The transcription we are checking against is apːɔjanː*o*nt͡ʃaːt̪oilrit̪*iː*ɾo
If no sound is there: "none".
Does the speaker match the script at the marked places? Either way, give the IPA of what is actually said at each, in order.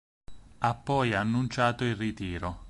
u, iː

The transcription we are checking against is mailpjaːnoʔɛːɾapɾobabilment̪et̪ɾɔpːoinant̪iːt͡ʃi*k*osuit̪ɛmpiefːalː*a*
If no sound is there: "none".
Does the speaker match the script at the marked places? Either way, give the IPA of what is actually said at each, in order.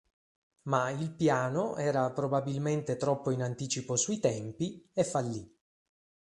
p, i

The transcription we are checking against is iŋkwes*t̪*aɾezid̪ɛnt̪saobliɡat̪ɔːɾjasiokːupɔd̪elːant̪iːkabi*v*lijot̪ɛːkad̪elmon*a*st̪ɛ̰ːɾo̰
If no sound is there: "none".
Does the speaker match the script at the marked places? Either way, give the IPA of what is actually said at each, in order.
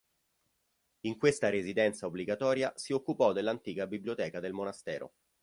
t̪, b, a

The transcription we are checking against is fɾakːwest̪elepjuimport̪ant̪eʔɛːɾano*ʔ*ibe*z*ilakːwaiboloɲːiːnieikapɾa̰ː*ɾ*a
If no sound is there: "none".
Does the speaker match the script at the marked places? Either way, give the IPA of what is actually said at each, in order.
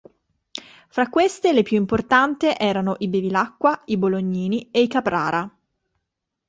ʔ, v, ɾ

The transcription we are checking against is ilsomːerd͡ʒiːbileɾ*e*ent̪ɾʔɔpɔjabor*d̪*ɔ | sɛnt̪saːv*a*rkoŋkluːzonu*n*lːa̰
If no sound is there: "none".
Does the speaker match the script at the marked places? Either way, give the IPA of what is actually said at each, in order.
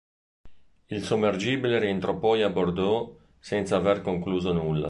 i, d̪, e, none

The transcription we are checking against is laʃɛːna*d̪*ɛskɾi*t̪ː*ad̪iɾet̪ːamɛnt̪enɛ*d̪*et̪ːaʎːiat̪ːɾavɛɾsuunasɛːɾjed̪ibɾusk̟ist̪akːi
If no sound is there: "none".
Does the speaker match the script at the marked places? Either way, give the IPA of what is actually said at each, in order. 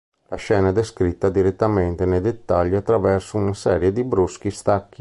d̪, t̪ː, d̪

